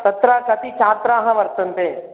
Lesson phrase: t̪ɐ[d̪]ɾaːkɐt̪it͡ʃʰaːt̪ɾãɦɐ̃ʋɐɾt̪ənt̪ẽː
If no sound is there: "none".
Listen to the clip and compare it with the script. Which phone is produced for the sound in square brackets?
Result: t̪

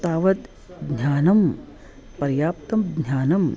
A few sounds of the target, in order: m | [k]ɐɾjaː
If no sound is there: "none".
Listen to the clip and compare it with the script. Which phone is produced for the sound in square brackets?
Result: p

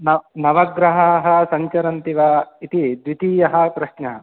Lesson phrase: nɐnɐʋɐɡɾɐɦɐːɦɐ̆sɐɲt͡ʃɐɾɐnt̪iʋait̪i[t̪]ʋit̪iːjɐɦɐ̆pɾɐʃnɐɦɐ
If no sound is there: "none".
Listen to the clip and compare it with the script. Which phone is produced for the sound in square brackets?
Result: d̪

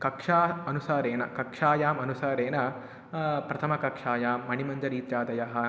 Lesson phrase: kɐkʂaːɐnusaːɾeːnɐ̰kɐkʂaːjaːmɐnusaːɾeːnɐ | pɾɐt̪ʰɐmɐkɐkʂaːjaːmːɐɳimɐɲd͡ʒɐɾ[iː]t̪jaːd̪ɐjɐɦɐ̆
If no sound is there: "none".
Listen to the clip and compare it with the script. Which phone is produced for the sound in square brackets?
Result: iː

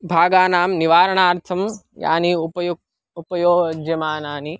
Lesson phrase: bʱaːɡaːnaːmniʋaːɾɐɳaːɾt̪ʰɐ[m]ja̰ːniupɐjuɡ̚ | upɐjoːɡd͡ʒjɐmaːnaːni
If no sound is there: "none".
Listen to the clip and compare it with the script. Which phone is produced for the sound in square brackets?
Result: m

